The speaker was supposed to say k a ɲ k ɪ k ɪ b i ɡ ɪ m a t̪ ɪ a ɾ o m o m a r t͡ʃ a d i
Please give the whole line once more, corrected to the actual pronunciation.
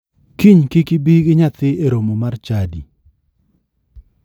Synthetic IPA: k i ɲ k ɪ k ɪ b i ɡ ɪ ɲ a t̪ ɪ e ɾ o m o m a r t͡ʃ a d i